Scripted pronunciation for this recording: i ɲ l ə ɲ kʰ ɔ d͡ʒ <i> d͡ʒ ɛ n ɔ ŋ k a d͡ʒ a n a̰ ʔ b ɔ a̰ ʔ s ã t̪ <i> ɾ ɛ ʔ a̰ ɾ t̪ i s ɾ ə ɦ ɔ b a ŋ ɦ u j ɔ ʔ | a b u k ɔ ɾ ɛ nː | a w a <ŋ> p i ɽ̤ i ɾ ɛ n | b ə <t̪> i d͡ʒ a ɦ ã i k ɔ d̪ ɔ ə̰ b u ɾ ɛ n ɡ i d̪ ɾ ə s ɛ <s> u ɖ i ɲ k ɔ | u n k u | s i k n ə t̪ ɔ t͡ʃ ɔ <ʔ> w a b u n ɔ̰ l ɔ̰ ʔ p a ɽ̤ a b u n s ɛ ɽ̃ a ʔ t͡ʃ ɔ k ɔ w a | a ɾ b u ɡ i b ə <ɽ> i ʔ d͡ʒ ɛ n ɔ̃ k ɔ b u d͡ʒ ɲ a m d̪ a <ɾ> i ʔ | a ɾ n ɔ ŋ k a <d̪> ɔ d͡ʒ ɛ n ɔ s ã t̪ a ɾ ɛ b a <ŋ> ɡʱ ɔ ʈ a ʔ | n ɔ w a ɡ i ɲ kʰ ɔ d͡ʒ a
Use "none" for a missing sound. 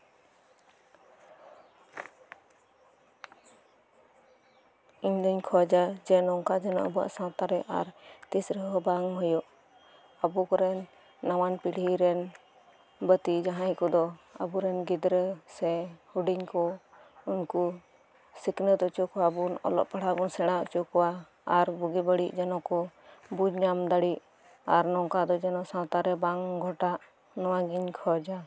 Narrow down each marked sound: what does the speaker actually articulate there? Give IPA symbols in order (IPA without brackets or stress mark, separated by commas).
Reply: a, a, n, t̪, h, k, ɽ, ɽ, d̪, ŋ